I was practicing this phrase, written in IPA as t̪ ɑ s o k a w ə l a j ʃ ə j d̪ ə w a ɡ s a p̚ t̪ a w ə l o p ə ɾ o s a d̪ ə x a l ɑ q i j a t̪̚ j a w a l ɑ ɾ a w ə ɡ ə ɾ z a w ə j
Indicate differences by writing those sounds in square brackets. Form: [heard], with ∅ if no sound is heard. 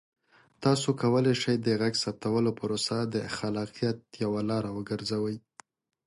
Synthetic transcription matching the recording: t̪ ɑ s o k a w ə l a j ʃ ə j d̪ ə [ɣ] a ɡ s a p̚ t̪ a w ə l o p ə ɾ o s a d̪ ə x a l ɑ q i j a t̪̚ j a w a l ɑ ɾ a w ə ɡ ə ɾ z a w ə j